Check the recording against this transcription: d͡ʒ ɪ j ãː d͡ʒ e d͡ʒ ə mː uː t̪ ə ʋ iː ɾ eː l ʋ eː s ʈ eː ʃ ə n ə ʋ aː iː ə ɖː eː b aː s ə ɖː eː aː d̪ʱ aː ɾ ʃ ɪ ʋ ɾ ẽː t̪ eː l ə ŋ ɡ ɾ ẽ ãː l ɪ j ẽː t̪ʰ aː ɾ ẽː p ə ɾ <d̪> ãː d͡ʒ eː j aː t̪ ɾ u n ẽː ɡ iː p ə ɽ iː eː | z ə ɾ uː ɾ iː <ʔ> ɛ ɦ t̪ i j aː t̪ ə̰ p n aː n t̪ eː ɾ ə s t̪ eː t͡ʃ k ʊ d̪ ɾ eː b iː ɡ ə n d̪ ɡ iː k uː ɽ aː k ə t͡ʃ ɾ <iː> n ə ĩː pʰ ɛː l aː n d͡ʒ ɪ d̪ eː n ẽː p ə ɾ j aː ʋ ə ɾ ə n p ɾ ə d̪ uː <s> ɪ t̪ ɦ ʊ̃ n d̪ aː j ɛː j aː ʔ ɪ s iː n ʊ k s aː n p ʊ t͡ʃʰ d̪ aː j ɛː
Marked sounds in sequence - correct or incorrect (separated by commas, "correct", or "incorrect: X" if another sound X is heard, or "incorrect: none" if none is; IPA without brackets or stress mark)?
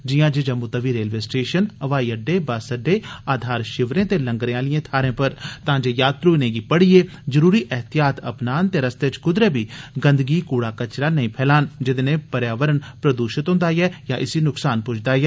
incorrect: t̪, correct, incorrect: aː, incorrect: ʃ